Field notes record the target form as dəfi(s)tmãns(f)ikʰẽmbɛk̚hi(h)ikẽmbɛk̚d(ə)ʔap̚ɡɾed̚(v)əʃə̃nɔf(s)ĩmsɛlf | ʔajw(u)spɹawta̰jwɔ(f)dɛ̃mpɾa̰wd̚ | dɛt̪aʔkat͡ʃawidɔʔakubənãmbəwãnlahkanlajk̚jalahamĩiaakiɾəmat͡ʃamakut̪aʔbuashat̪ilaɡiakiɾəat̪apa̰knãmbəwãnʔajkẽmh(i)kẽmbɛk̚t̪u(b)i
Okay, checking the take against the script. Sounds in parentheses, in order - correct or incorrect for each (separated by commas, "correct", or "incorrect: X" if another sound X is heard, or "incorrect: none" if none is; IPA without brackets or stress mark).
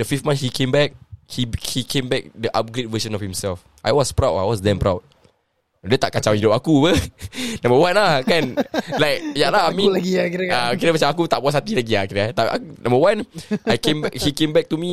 incorrect: f, incorrect: h, correct, correct, correct, incorrect: h, incorrect: ɔ, incorrect: s, correct, incorrect: m